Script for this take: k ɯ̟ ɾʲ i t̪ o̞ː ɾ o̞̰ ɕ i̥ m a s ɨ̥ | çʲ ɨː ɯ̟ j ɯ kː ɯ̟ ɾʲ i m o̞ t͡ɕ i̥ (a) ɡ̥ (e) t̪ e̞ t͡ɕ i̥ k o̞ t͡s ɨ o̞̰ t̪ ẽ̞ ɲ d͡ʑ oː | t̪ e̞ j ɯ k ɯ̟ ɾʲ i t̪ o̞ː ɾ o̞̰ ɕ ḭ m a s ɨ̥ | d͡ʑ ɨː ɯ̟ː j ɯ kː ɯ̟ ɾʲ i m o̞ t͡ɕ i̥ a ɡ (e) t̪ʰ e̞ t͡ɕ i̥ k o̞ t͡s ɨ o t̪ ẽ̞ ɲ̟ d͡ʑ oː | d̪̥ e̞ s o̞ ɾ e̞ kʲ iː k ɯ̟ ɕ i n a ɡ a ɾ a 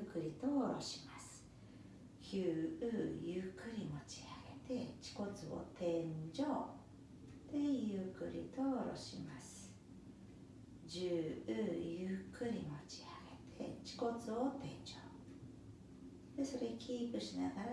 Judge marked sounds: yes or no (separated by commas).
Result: yes, yes, yes